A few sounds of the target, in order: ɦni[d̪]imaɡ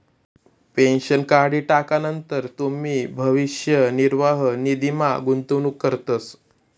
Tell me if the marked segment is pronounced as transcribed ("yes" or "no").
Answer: yes